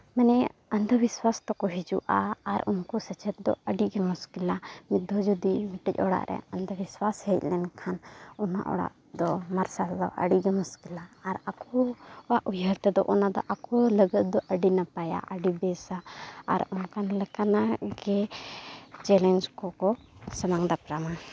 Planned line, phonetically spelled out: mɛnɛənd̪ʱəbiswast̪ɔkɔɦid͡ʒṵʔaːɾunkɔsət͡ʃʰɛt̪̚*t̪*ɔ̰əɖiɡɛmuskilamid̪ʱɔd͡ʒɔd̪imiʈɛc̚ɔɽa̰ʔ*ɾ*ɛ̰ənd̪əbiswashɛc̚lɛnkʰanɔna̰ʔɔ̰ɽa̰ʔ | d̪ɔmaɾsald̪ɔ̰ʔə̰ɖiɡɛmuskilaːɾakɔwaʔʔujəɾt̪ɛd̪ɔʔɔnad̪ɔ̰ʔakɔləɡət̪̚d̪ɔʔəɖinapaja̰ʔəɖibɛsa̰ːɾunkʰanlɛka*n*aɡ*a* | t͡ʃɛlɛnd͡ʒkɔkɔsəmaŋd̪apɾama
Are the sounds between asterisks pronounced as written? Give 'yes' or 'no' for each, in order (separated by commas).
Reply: no, yes, yes, no